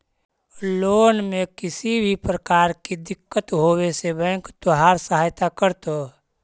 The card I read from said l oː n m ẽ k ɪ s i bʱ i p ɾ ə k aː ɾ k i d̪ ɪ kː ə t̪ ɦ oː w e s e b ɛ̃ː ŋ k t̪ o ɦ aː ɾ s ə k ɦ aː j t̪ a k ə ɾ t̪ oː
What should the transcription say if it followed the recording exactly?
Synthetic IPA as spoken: l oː n m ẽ k ɪ s i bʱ i p ɾ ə k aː ɾ k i d̪ ɪ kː ə t̪ ɦ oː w e s e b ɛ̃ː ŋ k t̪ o ɦ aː ɾ s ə ɦ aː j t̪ a k ə ɾ t̪ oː